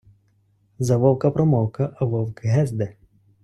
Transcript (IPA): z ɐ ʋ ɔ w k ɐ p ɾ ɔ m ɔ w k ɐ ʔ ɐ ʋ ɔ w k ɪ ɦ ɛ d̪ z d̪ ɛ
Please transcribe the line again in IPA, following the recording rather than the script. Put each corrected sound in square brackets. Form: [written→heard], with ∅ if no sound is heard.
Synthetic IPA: z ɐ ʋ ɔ w k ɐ p ɾ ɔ m ɔ w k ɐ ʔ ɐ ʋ ɔ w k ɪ ɦ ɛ [d̪→∅] z d̪ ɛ